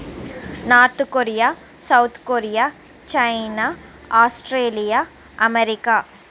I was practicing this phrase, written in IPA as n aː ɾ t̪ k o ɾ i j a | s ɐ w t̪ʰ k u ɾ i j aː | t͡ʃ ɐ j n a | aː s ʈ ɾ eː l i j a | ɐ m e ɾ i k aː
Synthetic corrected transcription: n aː ɾ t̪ k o ɾ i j a | s ɐ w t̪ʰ k o ɾ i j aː | t͡ʃ ɐ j n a | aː s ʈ ɾ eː l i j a | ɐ m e ɾ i k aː